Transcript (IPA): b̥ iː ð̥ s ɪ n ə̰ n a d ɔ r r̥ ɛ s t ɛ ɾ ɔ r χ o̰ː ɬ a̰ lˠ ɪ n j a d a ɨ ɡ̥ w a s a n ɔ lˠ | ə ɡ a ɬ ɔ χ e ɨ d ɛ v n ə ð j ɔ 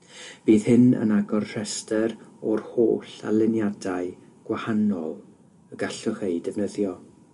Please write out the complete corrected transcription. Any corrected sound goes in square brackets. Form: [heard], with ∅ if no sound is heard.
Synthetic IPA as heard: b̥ iː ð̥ [h] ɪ n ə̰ n a [ɡ] ɔ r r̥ ɛ s t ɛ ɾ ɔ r [h] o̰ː ɬ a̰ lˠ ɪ n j a d a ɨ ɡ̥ w a [h] a n ɔ lˠ | ə ɡ a ɬ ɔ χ e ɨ d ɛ v n ə ð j ɔ